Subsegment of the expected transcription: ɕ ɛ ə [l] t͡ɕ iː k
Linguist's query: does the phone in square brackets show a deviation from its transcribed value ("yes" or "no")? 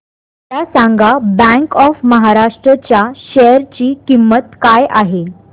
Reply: yes